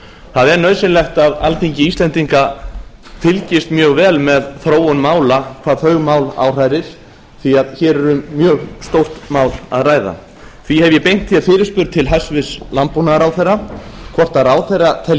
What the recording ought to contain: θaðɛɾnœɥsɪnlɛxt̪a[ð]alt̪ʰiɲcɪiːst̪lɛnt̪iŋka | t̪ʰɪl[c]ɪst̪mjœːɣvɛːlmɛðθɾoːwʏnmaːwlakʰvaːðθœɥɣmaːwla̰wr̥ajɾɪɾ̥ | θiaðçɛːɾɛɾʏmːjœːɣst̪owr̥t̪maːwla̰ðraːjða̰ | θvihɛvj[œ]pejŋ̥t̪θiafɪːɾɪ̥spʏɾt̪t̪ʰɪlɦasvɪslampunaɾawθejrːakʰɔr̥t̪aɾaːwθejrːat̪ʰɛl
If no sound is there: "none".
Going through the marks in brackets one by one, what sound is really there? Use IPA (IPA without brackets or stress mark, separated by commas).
ð, c, ɛ